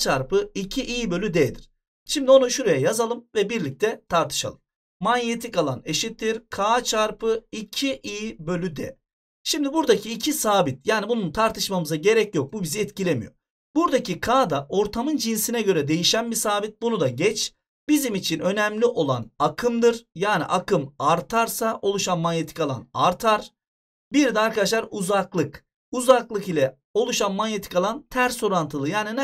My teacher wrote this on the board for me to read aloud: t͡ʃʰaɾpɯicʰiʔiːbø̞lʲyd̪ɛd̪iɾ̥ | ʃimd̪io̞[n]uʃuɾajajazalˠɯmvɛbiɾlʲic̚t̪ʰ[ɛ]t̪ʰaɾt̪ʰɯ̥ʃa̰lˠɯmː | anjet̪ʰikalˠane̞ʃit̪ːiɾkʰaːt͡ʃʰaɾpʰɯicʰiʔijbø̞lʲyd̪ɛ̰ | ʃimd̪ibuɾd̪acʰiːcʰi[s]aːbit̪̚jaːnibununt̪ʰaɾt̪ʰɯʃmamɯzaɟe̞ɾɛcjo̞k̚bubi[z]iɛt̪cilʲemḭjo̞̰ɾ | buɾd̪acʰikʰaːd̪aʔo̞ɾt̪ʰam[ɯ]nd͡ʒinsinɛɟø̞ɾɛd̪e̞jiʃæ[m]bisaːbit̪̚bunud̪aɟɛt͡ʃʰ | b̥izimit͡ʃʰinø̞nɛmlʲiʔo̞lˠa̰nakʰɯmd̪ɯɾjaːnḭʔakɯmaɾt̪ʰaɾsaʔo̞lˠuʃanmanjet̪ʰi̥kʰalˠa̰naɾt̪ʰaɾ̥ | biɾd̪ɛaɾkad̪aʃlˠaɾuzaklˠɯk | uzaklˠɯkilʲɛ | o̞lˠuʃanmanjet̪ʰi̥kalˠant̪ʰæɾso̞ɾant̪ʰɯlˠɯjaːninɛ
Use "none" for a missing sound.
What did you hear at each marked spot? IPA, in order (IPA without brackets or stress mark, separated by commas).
n, ɛ, s, z, ɯ, n